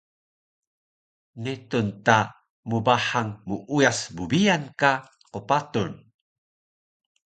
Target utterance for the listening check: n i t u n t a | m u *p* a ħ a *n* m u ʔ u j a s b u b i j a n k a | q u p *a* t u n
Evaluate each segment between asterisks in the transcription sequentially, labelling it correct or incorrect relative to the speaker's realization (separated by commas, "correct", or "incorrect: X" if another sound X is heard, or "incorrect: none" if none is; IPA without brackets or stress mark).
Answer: incorrect: b, incorrect: ŋ, correct